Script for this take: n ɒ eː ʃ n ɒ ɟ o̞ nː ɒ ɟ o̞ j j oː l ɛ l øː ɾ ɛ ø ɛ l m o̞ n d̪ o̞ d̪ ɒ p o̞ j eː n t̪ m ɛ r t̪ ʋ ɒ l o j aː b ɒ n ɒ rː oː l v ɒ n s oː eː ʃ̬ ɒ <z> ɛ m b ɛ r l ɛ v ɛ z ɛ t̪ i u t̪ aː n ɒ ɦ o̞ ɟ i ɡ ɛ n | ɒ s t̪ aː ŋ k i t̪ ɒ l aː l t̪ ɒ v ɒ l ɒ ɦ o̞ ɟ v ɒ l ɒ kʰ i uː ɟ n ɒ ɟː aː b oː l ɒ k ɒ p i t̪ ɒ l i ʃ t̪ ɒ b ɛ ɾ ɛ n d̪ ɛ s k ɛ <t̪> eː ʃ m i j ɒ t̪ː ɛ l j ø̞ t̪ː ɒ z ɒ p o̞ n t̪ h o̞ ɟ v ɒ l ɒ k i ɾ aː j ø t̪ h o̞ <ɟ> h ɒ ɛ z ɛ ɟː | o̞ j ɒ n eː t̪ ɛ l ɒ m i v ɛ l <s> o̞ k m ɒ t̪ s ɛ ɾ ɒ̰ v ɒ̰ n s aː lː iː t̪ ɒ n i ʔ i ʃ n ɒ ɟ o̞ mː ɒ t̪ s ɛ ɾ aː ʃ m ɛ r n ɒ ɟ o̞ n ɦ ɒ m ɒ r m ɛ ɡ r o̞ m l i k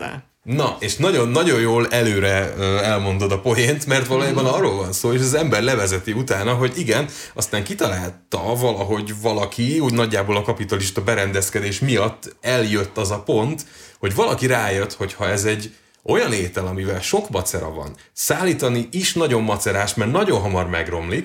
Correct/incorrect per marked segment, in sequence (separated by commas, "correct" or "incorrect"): correct, incorrect, incorrect, incorrect